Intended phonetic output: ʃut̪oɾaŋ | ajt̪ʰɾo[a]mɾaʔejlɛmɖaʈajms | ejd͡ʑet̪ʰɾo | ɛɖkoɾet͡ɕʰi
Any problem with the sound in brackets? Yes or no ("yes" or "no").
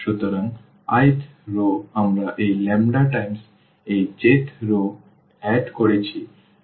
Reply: no